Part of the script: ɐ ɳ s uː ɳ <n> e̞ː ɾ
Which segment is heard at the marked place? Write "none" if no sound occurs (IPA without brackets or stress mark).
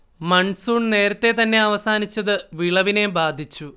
n